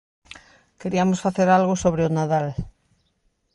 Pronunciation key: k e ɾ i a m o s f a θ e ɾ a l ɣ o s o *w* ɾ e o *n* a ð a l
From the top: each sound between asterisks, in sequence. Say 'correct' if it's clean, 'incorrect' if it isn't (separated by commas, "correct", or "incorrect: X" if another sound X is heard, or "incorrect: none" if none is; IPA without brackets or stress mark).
incorrect: β, correct